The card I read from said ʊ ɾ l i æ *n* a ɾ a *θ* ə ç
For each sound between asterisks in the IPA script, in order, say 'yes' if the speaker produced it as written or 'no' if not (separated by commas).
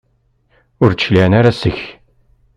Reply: yes, no